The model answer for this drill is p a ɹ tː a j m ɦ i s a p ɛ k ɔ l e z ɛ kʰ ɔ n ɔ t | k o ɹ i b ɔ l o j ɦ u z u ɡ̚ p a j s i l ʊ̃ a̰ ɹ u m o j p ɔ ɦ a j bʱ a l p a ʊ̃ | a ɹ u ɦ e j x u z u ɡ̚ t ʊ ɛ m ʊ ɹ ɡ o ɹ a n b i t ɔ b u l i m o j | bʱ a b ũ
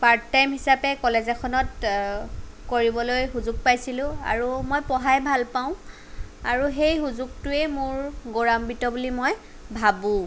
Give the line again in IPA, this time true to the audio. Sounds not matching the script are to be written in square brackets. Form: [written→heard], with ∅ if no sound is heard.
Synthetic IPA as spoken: p a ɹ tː a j m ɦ i s a p ɛ k ɔ l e z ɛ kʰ ɔ n ɔ t | k o ɹ i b ɔ l o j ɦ u z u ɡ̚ p a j s i l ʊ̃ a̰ ɹ u m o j p ɔ ɦ a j bʱ a l p a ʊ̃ | a ɹ u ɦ e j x u z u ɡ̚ t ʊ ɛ m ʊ ɹ ɡ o ɹ a [n→m] b i t ɔ b u l i m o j | bʱ a b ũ